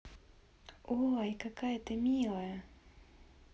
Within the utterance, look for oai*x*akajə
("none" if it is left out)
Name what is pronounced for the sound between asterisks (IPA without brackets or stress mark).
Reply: k